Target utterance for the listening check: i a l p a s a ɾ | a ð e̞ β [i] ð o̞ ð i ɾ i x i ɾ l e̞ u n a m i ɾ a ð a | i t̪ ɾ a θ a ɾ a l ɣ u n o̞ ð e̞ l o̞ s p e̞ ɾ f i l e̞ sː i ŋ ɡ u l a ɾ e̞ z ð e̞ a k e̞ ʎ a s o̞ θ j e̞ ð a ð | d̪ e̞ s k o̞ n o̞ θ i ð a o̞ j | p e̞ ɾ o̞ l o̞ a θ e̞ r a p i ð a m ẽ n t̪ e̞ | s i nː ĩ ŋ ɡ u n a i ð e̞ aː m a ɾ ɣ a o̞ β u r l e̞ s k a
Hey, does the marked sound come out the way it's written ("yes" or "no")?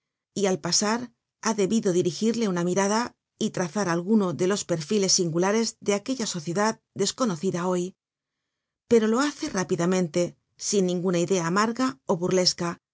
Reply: yes